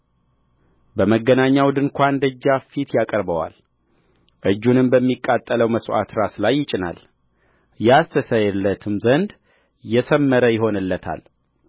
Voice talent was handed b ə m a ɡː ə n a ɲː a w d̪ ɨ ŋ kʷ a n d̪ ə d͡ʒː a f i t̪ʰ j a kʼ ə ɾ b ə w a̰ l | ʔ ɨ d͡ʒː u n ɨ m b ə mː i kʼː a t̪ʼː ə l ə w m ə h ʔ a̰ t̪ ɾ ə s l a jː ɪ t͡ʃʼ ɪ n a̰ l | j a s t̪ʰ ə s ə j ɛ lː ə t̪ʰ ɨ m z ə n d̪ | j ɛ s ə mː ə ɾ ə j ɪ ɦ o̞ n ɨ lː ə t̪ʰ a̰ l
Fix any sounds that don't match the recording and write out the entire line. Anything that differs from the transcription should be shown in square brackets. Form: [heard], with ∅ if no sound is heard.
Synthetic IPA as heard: b ə m [ə] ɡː ə n a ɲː a w d̪ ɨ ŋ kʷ a n d̪ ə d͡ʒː a f i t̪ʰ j a kʼ ə ɾ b ə w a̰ l | ʔ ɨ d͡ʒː u n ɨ m b ə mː i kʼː a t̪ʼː ə l ə w m ə [s] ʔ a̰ t̪ ɾ [a] s l a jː ɪ t͡ʃʼ ɪ n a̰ l | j a s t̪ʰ ə s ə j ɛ lː ə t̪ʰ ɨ m z ə n d̪ | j ɛ s ə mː ə ɾ ə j ɪ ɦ o̞ n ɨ lː ə t̪ʰ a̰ l